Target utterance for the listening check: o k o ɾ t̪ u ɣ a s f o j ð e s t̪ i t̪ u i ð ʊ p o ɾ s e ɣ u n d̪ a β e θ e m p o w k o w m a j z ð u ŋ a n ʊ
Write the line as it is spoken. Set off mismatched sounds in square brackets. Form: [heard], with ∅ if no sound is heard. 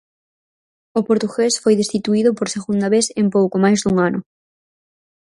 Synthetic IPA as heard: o [p] o ɾ t̪ u ɣ [e] s f o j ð e s t̪ i t̪ u i ð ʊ p o ɾ s e ɣ u n d̪ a β e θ e m p o w k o [∅] m a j z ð u ŋ a n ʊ